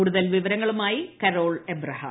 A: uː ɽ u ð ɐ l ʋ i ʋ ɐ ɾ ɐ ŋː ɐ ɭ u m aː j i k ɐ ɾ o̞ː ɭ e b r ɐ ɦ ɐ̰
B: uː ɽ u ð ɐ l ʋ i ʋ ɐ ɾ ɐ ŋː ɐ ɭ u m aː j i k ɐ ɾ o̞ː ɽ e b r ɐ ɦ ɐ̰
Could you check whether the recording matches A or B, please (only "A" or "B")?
A